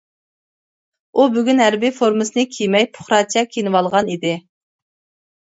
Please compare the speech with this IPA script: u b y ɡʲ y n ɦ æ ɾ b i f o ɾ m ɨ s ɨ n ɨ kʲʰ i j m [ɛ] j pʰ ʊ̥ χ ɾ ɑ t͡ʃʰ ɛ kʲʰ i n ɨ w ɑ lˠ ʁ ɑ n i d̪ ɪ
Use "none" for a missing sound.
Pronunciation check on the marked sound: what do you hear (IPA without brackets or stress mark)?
ɛ